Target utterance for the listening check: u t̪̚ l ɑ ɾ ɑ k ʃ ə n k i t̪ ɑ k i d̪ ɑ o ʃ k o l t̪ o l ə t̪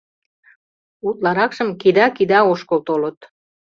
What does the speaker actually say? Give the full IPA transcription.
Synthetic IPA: u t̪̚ l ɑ ɾ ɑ k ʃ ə m k i d̪ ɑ k i d̪ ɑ o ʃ k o l t̪ o l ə t̪